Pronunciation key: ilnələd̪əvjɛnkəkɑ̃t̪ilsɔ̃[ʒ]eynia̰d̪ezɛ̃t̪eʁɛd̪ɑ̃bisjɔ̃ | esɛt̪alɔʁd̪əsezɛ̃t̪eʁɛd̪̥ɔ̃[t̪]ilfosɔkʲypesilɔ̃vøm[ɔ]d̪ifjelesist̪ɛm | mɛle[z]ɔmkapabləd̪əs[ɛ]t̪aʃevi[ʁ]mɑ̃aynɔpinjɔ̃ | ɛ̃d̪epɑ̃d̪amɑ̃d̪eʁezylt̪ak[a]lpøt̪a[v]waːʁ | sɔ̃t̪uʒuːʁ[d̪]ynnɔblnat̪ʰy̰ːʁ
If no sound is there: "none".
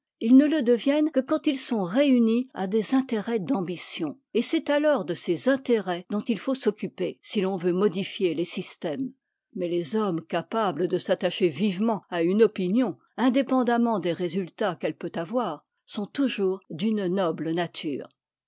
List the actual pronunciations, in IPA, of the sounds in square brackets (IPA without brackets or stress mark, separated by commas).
ʁ, t̪, ɔ, z, a, v, ɛ, v, d̪